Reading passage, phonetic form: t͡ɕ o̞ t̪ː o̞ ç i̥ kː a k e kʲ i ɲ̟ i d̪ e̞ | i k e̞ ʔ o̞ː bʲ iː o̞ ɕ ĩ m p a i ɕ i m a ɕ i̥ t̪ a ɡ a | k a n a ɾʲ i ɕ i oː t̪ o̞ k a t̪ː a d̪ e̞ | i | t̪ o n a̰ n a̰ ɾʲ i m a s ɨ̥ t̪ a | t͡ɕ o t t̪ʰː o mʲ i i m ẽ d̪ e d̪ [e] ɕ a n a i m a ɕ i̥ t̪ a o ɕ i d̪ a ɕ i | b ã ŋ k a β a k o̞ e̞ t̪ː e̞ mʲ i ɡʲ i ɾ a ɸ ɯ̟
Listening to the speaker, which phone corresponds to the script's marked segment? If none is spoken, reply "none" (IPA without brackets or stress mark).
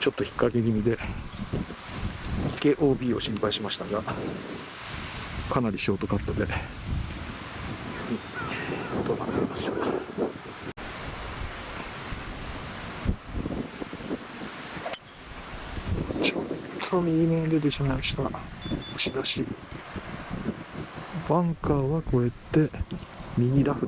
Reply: e